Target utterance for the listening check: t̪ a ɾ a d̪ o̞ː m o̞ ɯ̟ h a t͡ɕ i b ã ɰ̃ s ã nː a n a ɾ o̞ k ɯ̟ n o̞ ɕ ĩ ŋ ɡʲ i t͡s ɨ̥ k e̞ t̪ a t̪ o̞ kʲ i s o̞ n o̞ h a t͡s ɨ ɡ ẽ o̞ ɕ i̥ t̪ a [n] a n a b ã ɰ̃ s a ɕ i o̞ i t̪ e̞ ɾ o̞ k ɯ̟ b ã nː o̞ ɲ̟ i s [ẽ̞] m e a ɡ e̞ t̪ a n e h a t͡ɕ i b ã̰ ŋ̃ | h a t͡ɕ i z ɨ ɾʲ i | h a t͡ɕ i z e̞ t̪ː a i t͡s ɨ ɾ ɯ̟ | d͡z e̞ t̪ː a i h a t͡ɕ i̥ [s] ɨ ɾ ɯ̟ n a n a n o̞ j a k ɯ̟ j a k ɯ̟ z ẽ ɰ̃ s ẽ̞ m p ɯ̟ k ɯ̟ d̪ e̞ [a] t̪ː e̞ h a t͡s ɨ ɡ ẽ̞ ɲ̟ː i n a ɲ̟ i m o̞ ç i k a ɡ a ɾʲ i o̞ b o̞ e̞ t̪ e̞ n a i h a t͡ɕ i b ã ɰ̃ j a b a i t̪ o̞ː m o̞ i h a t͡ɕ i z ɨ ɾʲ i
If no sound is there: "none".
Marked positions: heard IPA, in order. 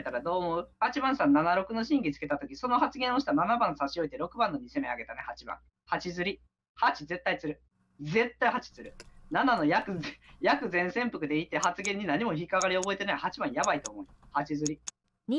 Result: n, e̞, t͡s, i

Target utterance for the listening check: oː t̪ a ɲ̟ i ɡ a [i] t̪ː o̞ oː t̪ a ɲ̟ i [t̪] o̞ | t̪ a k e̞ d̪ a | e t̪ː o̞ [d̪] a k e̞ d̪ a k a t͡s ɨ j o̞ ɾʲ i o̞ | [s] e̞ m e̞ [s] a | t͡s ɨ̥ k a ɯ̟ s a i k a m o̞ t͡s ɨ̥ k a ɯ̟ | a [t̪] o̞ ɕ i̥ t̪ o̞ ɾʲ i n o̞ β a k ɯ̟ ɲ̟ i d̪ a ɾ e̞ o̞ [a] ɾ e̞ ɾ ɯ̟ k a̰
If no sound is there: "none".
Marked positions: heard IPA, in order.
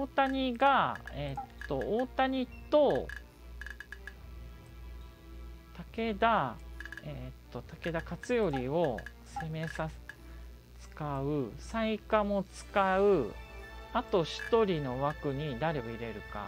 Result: e, t̪, t̪, s, s, t̪, i

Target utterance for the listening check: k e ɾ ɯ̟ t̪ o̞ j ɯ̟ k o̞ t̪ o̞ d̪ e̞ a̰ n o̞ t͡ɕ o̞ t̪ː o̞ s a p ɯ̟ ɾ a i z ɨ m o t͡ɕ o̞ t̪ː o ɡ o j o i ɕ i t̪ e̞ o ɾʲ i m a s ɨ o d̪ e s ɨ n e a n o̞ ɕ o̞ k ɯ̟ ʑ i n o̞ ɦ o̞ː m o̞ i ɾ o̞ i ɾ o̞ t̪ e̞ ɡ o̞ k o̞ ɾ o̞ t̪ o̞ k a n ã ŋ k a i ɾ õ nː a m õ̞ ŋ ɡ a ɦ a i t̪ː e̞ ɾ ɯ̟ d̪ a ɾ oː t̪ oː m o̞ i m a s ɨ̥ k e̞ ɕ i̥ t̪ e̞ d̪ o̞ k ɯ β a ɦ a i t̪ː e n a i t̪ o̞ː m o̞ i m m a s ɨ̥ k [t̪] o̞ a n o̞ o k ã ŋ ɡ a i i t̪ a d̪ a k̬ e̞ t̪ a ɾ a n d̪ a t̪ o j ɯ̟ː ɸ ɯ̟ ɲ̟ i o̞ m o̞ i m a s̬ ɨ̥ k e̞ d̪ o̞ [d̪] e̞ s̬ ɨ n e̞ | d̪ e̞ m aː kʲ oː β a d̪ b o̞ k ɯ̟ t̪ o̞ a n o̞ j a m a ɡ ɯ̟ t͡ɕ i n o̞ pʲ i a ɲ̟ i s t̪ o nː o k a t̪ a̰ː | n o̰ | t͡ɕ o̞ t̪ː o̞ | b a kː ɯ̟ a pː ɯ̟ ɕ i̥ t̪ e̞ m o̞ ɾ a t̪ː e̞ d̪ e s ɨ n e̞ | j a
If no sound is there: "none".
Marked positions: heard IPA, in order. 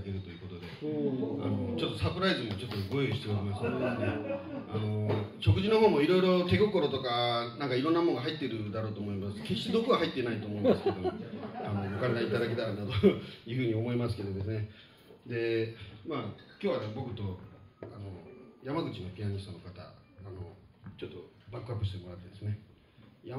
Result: d̪, d̪

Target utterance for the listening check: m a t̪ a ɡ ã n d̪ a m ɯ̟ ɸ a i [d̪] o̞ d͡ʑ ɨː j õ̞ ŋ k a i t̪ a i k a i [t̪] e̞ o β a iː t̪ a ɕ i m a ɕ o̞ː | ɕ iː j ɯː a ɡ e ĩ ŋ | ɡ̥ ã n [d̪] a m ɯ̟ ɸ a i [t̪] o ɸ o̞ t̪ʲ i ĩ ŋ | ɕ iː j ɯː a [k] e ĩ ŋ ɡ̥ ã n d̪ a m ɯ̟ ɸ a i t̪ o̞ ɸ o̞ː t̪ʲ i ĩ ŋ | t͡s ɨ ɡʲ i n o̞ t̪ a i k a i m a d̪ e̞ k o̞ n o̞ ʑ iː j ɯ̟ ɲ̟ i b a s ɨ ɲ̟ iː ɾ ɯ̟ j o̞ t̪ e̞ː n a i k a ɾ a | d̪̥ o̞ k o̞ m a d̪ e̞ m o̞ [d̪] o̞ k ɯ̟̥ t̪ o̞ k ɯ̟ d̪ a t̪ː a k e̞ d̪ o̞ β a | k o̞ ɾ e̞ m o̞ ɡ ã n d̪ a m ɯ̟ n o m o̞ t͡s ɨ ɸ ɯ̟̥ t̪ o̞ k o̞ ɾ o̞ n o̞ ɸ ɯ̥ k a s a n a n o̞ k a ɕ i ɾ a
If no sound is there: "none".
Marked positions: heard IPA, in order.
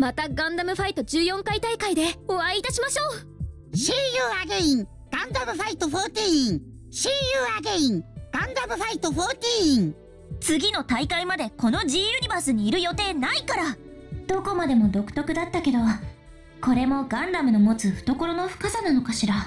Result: t̪, d̪, d̪, t̪, ɡ, d̪

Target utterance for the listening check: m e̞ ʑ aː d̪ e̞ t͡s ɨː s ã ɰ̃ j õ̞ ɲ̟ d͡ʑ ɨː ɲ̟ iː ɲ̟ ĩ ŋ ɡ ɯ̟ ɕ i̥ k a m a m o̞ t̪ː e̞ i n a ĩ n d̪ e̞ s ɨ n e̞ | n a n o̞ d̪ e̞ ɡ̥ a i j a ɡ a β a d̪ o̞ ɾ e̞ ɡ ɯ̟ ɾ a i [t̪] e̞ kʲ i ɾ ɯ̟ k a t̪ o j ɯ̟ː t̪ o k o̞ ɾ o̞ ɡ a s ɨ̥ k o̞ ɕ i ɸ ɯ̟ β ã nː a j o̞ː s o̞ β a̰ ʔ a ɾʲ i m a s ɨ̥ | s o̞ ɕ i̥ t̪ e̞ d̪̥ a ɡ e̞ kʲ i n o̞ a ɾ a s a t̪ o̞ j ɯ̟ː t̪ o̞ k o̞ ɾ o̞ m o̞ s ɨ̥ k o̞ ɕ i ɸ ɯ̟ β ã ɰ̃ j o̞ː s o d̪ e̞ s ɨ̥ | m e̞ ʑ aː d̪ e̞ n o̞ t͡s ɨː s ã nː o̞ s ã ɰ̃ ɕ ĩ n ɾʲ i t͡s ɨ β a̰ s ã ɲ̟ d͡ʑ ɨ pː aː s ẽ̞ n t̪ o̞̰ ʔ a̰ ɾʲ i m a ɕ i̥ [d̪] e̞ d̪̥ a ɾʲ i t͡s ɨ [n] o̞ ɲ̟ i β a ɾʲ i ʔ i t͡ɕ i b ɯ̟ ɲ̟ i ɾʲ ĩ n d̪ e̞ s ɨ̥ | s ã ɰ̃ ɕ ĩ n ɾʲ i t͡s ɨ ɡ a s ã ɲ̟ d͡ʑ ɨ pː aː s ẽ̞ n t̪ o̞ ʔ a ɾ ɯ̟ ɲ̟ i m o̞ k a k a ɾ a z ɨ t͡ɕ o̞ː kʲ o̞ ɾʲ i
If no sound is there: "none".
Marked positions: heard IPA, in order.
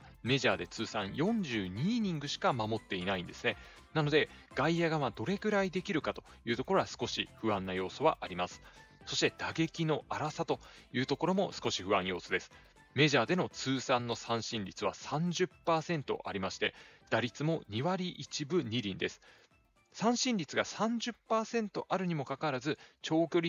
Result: d̪, t̪, m

